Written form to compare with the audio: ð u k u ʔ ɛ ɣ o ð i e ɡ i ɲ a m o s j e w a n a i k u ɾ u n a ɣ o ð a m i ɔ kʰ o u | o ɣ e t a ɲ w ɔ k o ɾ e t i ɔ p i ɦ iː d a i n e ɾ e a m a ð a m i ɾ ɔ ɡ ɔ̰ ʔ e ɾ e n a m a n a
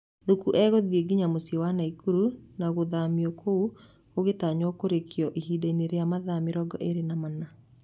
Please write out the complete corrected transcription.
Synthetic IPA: ð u k u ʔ ɛ ɣ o ð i e ɡ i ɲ a m o s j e w a n a i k u ɾ u n a ɣ o ð a m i ɔ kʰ o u | o ɣ e t a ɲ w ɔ k o ɾ e k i ɔ ʔ i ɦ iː d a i n e ɾ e a m a ð a m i ɾ ɔ ɡ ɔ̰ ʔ e ɾ e n a m a n a